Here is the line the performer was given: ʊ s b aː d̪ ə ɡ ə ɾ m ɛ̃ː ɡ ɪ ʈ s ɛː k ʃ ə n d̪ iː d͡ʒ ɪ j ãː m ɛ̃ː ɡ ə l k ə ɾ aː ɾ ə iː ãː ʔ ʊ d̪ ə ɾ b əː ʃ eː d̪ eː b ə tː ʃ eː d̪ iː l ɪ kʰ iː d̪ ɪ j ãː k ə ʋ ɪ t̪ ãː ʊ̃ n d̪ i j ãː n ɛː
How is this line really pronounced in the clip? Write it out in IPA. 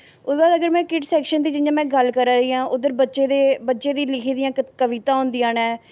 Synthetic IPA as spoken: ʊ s b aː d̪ ə ɡ ə ɾ m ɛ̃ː k ɪ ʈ s ɛː k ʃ ə n d̪ iː d͡ʒ ɪ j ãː m ɛ̃ː ɡ ə l k ə ɾ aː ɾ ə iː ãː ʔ ʊ d̪ ə ɾ b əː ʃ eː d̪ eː b ə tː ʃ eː d̪ iː l ɪ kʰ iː d̪ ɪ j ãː k ə ʋ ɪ t̪ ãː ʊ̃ n d̪ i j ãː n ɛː